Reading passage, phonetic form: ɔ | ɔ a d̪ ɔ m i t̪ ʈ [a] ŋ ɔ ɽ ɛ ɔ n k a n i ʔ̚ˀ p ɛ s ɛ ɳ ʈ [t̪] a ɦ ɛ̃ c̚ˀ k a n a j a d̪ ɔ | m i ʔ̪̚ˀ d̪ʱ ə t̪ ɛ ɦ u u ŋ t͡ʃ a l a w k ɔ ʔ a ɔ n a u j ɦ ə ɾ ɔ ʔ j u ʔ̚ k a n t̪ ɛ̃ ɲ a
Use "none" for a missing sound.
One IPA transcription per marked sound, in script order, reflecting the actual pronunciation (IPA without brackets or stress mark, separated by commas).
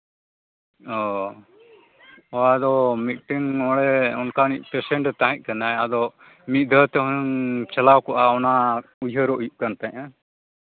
i, t̪